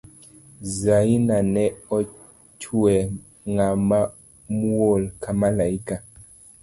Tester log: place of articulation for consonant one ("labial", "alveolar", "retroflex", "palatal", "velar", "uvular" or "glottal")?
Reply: alveolar